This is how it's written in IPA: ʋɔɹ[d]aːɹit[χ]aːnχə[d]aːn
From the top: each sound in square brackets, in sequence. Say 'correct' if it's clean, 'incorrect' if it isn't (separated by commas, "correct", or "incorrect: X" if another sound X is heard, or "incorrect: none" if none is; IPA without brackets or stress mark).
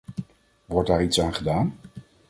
correct, incorrect: s, correct